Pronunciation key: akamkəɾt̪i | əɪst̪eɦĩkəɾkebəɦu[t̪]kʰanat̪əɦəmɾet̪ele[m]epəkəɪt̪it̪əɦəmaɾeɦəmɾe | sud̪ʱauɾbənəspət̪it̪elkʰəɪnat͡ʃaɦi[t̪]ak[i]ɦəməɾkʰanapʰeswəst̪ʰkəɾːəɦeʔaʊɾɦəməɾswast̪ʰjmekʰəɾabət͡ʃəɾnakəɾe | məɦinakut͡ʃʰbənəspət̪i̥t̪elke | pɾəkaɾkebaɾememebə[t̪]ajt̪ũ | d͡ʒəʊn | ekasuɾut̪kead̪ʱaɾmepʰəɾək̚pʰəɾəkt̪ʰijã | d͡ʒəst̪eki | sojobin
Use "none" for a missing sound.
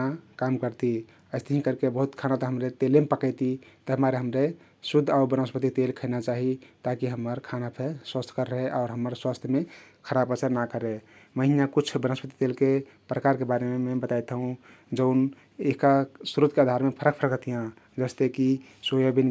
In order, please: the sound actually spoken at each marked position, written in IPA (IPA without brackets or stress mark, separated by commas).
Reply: t̪, m, t̪, i, t̪